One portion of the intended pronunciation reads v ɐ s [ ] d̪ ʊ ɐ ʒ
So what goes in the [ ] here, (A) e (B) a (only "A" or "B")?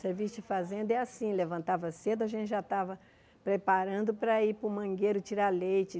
A